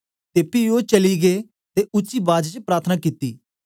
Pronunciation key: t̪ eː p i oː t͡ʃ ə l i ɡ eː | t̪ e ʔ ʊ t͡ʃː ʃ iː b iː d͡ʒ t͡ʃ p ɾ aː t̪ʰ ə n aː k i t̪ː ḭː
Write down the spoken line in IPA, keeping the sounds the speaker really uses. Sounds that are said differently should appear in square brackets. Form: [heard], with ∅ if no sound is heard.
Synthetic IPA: t̪ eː p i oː t͡ʃ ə l i ɡ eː | t̪ e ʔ ʊ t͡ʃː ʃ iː b [aː] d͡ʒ t͡ʃ p ɾ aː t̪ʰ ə n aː k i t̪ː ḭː